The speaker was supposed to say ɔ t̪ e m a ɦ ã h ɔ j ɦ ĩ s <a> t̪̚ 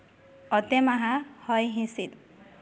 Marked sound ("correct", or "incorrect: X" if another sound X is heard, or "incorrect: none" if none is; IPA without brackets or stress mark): incorrect: i